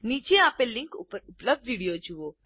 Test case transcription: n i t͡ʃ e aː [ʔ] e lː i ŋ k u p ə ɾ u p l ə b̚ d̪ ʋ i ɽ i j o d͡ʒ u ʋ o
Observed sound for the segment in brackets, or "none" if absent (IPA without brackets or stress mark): p